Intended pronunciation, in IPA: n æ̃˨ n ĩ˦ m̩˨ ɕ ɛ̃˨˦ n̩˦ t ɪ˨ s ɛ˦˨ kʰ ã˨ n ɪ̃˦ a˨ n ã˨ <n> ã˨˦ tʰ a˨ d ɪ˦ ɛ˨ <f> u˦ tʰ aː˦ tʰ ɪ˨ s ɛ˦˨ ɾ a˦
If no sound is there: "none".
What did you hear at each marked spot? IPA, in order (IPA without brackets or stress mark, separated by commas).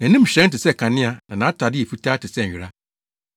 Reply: n, f